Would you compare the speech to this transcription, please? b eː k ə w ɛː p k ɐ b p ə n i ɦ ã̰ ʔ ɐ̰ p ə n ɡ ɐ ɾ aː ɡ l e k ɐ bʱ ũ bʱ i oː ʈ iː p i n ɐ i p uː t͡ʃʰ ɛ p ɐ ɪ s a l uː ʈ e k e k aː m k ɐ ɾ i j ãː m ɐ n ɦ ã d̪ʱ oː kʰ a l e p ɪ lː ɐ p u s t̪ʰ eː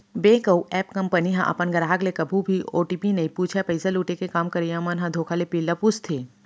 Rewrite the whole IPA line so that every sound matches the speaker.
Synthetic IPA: b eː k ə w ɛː p k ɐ m p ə n i ɦ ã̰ ʔ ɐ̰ p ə n ɡ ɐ ɾ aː ɡ l e k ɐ bʱ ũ bʱ i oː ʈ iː p i n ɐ i p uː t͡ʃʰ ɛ p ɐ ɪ s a l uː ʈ e k e k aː m k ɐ ɾ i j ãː m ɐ n ɦ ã d̪ʱ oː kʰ a l e p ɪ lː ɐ p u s t̪ʰ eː